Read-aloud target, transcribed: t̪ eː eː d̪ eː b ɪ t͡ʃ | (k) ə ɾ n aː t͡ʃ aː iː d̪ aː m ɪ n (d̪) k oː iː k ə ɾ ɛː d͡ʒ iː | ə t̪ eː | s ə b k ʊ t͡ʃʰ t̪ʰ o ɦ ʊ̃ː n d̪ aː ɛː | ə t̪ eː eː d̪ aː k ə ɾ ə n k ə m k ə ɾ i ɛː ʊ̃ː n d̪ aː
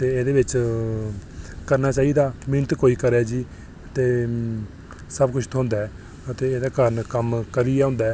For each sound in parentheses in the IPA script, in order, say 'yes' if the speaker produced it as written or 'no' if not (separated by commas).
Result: yes, no